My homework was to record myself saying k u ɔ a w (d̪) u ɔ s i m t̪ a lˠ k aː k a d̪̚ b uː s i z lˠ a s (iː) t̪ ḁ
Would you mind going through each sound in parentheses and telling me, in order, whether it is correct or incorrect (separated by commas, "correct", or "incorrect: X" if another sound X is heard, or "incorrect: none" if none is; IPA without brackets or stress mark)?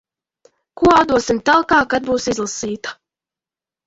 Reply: correct, correct